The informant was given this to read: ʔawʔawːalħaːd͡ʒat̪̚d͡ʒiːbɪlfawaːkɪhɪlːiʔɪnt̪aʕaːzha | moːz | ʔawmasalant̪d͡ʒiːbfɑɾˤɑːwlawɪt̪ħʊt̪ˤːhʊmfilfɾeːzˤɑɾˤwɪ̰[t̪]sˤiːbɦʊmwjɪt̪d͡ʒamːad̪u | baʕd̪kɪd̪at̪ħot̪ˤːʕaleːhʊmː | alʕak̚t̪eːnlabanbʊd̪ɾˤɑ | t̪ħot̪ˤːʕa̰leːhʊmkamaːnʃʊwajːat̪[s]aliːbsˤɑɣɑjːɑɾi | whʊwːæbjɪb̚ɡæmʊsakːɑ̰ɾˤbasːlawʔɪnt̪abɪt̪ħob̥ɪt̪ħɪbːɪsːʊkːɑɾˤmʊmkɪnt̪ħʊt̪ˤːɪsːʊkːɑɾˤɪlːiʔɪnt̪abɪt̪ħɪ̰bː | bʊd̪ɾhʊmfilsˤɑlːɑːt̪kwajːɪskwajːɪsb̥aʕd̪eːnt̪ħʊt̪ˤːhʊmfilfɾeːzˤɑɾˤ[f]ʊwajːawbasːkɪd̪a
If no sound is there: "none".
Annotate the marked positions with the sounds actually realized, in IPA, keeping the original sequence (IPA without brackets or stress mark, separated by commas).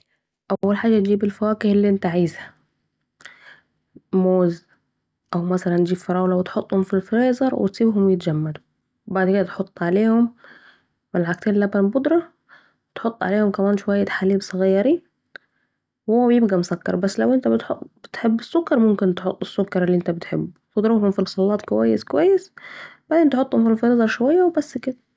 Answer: t̪, ħ, ʃ